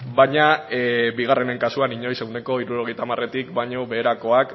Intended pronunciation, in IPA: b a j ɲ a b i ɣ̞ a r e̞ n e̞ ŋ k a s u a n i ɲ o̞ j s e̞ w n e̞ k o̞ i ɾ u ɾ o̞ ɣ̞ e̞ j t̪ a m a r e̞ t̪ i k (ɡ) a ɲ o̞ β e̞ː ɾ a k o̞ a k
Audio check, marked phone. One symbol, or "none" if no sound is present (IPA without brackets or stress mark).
b